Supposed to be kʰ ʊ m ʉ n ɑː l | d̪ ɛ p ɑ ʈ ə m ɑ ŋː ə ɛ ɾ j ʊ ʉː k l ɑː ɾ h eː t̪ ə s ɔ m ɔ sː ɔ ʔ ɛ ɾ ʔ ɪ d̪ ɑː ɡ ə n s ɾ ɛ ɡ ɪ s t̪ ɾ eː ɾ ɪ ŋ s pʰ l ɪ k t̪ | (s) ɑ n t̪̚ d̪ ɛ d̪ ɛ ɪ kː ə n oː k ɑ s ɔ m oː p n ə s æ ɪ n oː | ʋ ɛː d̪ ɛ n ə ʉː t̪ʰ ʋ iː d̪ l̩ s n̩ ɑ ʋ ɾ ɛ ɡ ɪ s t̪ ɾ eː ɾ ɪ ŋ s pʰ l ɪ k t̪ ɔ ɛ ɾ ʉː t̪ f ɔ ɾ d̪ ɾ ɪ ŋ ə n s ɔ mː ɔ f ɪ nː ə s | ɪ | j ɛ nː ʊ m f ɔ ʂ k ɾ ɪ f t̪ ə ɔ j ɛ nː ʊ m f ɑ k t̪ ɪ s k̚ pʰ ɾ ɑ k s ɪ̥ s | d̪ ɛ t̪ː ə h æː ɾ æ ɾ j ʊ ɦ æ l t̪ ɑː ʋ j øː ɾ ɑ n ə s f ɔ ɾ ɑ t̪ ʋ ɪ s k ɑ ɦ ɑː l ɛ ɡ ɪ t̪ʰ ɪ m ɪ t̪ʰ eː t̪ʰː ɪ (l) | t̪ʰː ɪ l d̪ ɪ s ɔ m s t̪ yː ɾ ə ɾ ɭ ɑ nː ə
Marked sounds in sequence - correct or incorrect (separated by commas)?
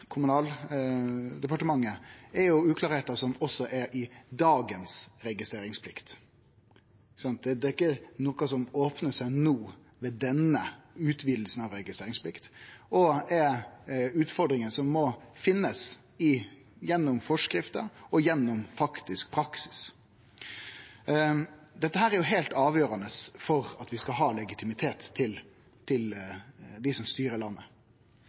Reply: correct, correct